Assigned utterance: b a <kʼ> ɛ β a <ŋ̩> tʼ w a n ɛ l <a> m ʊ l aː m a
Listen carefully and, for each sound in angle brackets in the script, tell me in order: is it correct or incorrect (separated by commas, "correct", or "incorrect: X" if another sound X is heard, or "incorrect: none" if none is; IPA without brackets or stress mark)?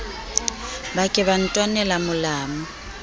correct, incorrect: n̩, correct